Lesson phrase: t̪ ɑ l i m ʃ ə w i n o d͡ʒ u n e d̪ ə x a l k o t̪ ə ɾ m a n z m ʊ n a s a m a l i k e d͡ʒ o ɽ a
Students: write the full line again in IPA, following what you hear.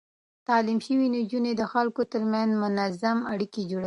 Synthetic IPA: t̪ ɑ l i m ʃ ə w i n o d͡ʒ u n e d̪ ə x a l k o t̪ ə ɾ m a n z m ʊ n a z a m a ɽ i k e d͡ʒ o ɽ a